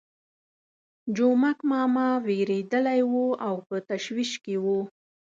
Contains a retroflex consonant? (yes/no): no